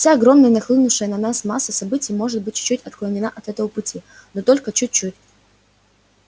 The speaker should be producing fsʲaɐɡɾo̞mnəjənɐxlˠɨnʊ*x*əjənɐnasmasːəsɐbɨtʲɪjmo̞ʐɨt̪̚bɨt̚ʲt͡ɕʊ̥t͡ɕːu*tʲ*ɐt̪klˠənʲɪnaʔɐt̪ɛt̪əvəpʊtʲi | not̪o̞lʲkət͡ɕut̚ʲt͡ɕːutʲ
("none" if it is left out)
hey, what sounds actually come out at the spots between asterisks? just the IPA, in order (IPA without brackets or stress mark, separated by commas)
ʂ, tʲ